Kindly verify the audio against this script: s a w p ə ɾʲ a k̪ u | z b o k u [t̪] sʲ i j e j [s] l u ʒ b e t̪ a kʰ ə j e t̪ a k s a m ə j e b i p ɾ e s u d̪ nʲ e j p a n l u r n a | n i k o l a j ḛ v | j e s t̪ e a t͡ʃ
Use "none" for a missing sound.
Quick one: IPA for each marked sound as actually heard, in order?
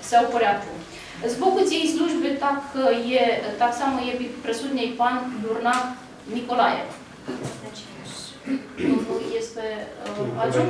t̪, s

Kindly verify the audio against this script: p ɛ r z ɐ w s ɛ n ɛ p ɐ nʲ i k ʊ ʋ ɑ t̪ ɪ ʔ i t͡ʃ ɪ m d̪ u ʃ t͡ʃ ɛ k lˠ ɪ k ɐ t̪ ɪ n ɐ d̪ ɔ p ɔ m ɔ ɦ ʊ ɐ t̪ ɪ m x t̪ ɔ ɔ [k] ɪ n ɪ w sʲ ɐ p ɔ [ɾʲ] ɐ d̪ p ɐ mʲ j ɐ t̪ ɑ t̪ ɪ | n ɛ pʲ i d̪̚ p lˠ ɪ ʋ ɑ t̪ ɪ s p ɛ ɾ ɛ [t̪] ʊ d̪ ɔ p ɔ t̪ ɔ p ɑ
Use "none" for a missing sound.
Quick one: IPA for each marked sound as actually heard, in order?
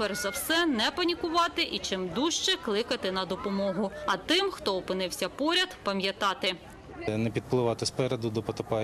p, ɾʲ, d̪

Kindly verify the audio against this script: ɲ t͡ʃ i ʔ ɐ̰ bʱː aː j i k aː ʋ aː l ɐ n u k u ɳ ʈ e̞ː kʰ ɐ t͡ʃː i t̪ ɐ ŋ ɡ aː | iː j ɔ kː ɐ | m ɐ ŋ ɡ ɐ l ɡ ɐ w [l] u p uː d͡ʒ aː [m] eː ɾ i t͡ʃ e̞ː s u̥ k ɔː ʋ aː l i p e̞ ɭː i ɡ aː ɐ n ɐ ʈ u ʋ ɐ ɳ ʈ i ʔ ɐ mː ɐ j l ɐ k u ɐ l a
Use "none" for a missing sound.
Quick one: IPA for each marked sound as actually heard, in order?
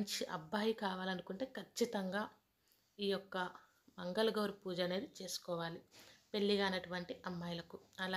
ɾ, n

